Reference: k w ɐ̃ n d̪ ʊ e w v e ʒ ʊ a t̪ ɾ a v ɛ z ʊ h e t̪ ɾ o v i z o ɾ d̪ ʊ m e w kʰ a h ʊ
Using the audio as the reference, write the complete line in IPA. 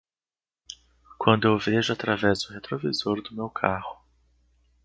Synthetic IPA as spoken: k w ɐ̃ n d̪ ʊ e w v e ʒ ʊ a t̪ ɾ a v ɛ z ʊ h e t̪ ɾ o v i z o ɾ d̪ ʊ m e w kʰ a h ʊ